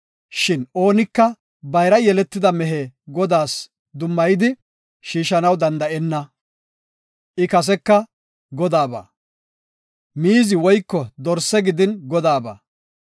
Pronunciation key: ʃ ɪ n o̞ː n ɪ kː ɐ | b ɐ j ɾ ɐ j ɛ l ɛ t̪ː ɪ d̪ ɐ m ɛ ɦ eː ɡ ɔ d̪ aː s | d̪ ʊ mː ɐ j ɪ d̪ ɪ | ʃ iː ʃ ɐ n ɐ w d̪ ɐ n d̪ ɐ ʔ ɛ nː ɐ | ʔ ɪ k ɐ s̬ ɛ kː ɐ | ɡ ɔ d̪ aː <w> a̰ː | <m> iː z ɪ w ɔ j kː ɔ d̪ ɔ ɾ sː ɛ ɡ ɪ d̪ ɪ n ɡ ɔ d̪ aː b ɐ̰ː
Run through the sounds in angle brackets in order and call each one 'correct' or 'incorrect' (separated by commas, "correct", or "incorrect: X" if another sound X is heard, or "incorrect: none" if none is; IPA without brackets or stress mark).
incorrect: b, correct